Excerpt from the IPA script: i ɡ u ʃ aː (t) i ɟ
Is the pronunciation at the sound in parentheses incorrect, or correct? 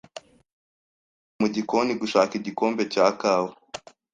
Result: incorrect: k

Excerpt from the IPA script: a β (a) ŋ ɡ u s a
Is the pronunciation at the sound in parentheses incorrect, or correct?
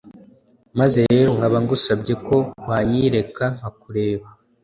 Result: correct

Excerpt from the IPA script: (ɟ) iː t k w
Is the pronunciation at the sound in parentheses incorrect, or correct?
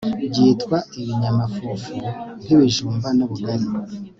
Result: correct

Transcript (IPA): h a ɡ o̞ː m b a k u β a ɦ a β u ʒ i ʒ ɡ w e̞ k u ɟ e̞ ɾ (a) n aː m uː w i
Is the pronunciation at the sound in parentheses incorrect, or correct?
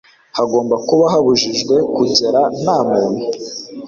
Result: correct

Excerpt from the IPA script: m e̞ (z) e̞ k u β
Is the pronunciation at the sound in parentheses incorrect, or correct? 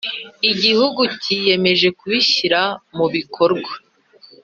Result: incorrect: ʒ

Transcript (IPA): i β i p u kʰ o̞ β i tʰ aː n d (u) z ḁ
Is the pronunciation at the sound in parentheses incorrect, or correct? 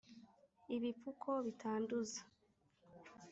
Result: correct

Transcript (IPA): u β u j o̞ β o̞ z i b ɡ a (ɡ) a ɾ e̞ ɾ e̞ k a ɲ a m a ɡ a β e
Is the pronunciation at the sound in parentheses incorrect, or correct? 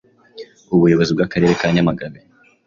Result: incorrect: k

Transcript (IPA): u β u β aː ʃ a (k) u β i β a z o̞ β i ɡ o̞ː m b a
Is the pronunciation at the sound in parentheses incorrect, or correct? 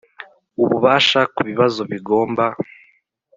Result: correct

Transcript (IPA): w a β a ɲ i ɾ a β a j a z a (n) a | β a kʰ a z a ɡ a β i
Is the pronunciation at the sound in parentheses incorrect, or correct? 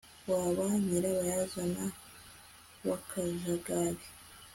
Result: correct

